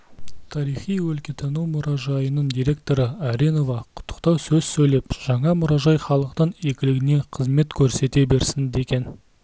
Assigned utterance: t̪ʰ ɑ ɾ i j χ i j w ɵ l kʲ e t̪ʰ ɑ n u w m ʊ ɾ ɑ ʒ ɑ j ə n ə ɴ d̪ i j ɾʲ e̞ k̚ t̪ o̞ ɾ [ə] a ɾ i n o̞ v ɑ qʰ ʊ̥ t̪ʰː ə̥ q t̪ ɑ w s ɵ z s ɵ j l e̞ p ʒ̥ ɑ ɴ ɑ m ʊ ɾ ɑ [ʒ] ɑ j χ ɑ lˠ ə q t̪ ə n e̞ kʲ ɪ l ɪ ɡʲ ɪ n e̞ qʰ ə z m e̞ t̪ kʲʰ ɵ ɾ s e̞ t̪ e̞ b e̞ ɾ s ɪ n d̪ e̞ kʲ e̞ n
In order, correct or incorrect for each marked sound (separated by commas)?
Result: correct, correct